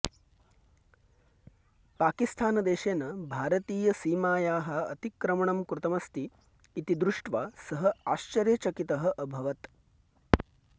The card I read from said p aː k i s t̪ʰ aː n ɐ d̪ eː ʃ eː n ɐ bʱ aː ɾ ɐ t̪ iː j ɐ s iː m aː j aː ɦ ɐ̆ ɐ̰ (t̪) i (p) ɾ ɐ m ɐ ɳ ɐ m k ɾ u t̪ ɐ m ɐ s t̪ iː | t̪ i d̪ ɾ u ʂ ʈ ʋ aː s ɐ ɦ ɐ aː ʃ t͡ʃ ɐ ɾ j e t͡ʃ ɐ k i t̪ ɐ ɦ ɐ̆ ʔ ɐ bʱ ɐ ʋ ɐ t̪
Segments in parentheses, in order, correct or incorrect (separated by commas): correct, incorrect